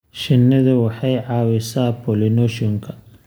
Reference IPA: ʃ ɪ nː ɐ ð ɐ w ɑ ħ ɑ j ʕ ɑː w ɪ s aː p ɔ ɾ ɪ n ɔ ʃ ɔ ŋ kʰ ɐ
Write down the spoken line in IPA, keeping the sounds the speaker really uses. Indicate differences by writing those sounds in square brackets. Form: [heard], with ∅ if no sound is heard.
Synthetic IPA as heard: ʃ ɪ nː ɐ ð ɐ w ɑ ħ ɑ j ʕ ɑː w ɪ s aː p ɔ [l] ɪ n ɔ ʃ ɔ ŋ kʰ ɐ